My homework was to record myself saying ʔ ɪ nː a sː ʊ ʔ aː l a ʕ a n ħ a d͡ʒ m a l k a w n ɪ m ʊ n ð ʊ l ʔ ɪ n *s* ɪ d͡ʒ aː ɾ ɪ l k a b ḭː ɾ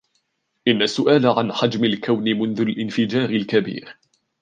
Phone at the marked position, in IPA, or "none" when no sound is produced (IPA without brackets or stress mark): f